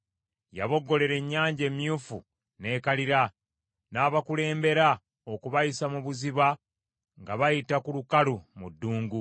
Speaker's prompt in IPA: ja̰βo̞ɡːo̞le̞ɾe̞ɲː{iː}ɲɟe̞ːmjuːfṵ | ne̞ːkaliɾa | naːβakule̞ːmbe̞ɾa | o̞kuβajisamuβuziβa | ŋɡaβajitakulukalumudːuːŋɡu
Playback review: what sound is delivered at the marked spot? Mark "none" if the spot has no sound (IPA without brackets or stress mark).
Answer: aː